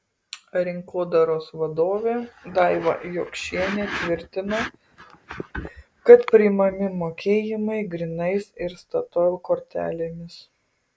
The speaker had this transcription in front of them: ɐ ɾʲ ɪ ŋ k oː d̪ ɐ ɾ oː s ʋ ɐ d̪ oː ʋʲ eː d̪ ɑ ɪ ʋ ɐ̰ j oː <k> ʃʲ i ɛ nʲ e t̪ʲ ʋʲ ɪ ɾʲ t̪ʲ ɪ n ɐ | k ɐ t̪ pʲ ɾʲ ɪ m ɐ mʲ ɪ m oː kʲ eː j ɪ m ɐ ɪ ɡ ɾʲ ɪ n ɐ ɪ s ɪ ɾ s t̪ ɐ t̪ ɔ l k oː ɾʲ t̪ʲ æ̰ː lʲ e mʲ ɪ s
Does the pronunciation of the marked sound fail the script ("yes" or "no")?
no